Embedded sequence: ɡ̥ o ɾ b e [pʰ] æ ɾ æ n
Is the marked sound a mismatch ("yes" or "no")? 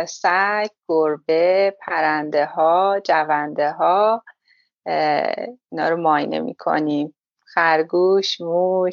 no